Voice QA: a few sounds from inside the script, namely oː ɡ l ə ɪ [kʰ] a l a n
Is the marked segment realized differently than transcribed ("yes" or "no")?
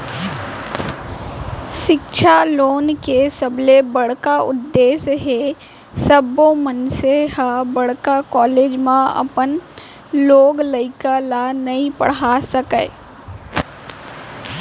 yes